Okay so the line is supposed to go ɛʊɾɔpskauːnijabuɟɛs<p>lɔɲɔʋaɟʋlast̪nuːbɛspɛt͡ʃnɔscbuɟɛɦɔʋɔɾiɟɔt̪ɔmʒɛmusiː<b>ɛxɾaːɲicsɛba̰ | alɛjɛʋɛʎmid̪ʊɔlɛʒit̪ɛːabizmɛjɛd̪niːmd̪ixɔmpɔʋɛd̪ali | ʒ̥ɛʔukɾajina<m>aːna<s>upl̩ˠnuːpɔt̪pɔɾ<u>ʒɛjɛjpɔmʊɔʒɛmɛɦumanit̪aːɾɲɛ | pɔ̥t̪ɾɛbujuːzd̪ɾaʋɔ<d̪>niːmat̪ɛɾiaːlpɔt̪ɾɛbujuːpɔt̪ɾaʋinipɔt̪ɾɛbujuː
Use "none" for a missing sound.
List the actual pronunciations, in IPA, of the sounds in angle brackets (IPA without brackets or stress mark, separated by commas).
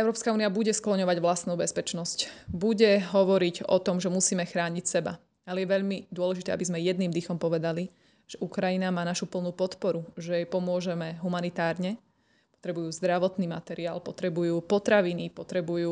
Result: k, m, m, ʃ, u, t̪